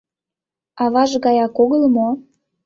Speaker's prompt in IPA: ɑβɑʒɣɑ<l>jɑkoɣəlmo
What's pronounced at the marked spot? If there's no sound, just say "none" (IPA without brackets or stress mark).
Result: none